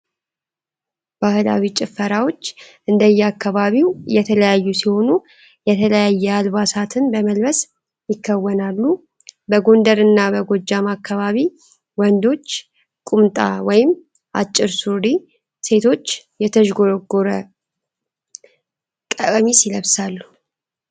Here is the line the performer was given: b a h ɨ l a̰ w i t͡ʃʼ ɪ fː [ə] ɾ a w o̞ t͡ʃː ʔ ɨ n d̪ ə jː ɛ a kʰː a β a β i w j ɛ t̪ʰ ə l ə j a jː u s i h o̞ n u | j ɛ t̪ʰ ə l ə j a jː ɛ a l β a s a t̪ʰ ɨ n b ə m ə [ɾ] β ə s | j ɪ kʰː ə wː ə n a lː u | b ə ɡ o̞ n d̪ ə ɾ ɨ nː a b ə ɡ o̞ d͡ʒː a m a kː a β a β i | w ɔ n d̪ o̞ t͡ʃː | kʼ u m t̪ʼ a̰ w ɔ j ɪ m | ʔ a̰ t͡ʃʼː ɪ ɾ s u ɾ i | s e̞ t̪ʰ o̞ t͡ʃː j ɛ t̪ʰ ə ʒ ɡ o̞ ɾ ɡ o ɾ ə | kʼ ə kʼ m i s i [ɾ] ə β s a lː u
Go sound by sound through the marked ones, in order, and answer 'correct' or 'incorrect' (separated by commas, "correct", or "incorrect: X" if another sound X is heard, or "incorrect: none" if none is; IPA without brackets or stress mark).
correct, incorrect: l, incorrect: l